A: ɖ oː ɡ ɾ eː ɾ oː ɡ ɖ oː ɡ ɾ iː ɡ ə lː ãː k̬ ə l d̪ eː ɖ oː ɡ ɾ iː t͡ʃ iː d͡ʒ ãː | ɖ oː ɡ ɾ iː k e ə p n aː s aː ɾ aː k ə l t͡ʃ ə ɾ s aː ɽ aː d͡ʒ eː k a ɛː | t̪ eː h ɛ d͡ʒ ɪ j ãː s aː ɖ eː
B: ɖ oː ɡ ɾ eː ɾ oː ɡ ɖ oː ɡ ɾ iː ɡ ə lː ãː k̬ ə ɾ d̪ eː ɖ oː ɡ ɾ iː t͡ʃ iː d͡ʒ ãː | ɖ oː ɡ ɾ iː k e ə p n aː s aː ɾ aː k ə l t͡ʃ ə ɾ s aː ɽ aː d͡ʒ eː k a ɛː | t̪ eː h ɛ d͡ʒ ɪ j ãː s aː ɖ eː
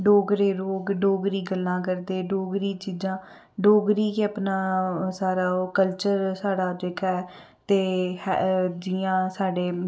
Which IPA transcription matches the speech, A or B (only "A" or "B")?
B